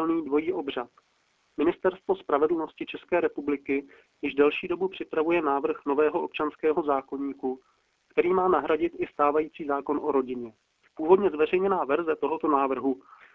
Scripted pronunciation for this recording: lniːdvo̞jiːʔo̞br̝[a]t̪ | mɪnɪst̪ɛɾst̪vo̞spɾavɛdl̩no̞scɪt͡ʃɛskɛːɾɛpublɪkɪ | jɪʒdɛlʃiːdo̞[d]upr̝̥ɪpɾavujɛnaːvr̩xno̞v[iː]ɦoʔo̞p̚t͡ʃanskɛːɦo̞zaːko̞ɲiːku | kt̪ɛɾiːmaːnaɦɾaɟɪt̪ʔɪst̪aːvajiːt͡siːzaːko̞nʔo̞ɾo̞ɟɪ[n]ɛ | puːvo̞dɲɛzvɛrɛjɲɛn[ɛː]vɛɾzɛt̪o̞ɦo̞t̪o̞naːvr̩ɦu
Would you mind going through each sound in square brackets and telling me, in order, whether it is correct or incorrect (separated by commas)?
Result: correct, incorrect, incorrect, incorrect, incorrect